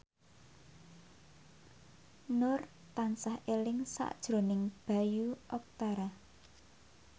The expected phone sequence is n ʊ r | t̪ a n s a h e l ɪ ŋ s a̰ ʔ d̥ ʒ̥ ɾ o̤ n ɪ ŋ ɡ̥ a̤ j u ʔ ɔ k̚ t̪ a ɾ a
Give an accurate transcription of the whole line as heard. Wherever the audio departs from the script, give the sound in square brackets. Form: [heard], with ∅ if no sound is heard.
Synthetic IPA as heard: n ʊ r | t̪ a n s a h e l ɪ ŋ s a̰ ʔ d̥ ʒ̥ ɾ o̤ n ɪ ŋ [b̥] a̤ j u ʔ ɔ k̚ t̪ a ɾ a

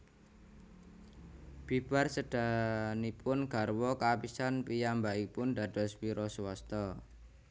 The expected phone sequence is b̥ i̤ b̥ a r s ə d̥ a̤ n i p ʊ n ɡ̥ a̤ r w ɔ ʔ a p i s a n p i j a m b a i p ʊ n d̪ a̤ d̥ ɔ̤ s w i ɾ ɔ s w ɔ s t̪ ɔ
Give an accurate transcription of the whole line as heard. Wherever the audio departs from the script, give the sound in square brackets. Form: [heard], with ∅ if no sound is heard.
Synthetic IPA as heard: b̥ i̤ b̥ a r s ə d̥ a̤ n i p ʊ n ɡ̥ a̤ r w ɔ [k] a p i s a n p i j a m b a i p ʊ n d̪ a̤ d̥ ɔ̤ s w i ɾ ɔ s w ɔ s t̪ ɔ

